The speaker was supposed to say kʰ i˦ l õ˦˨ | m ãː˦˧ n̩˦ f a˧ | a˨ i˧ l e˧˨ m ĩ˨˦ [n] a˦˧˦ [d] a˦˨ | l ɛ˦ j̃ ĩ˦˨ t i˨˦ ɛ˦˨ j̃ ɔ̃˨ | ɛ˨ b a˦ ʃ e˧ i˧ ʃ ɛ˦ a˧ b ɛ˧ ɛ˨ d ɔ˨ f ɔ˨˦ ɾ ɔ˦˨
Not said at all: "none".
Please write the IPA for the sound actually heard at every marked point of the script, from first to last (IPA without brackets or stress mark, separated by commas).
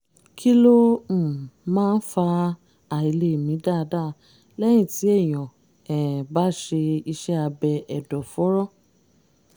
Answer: d, d